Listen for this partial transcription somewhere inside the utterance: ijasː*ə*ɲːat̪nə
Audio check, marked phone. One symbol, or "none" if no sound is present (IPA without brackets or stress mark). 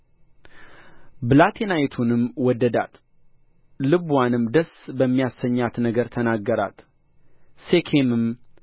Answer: ə